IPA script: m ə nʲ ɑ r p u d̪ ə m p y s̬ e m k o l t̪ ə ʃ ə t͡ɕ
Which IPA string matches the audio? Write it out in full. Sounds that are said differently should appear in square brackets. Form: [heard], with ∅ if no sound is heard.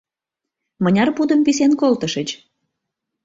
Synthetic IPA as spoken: m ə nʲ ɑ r p u d̪ ə m p [i] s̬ e [n] k o l t̪ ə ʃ ə t͡ɕ